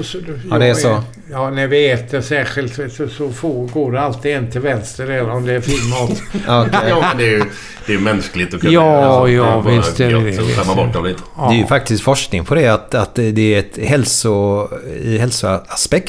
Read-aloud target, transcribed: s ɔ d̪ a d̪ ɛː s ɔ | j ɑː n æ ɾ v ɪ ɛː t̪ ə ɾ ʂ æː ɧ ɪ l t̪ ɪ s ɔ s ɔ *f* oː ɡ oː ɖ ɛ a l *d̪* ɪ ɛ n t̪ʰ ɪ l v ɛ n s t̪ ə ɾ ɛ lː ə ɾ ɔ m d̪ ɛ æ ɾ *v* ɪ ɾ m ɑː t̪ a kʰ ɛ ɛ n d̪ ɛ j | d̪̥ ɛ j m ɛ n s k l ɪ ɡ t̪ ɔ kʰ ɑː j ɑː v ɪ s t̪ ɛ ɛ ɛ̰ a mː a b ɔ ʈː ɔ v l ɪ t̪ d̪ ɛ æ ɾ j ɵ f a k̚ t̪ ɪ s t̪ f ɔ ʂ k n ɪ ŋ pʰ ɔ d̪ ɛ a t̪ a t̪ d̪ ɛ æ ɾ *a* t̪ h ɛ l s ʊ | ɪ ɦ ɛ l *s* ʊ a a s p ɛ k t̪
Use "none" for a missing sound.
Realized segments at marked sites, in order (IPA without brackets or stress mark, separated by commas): f, t̪, f, ɛ, s